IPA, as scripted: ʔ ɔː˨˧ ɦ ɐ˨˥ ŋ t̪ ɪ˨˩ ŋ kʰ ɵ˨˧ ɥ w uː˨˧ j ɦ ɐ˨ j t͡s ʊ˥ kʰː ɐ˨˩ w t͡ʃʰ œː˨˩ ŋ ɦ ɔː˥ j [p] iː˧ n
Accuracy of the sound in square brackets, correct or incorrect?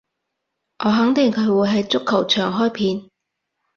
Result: incorrect